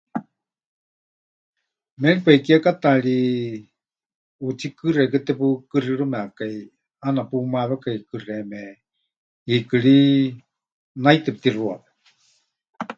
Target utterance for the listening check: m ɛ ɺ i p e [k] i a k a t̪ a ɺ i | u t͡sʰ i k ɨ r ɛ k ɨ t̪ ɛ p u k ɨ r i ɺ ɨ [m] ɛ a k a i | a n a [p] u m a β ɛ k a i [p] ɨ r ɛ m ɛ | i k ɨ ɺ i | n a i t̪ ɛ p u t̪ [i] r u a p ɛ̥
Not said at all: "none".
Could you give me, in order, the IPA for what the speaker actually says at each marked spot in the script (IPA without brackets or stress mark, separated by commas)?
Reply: k, m, p, k, i